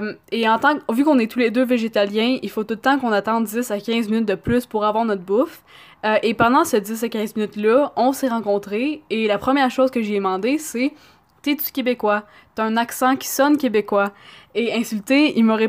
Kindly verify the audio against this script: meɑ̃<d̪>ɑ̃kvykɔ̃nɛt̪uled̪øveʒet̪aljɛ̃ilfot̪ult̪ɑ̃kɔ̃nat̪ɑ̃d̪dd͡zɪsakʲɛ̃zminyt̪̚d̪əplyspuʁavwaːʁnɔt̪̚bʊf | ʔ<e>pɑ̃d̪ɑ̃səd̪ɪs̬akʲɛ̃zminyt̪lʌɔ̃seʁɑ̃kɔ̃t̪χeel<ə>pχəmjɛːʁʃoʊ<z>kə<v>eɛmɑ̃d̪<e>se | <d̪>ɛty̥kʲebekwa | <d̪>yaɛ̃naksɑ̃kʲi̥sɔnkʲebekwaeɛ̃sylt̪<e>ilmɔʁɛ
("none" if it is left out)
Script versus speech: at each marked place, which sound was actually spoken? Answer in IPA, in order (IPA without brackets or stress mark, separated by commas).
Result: t̪, e, a, z, ʒ, e, t̪, t̪, e